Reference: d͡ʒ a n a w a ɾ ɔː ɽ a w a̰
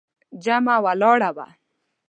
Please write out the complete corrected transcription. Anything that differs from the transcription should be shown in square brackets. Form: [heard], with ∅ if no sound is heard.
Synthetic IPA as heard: d͡ʒ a [m] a w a [l] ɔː ɽ a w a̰